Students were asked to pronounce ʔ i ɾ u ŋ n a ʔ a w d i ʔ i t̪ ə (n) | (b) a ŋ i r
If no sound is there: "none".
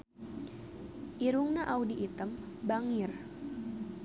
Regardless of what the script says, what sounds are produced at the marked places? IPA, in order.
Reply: m, b

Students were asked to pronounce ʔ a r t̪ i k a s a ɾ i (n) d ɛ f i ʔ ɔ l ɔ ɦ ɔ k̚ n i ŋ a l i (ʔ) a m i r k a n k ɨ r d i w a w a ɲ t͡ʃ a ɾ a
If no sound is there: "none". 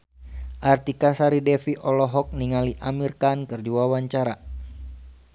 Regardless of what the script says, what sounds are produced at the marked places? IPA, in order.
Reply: none, ʔ

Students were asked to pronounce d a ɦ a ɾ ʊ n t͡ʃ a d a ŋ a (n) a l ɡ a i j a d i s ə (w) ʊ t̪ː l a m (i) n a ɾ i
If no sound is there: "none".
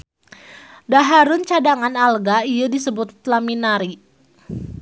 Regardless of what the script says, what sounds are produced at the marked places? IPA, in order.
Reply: n, b, i

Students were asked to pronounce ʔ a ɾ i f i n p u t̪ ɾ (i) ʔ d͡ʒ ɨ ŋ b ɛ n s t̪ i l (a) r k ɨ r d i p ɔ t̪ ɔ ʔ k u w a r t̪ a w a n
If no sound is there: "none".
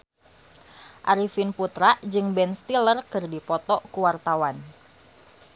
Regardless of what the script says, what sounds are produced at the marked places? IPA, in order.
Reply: a, ə

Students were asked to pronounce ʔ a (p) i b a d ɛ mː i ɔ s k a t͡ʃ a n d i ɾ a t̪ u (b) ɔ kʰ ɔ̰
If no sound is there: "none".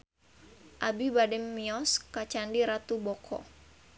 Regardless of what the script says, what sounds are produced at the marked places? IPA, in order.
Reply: b, b

